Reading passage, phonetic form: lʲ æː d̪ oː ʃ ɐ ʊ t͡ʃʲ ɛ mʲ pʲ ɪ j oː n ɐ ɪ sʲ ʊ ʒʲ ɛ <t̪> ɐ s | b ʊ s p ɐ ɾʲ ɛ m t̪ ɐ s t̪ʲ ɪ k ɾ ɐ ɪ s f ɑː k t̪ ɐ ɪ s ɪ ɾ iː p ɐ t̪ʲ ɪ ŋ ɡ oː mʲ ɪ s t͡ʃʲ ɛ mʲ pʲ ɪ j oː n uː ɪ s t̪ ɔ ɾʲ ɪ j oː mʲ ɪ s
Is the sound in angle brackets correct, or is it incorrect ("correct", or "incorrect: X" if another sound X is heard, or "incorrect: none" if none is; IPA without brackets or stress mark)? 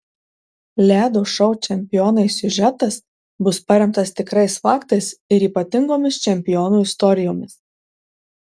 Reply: correct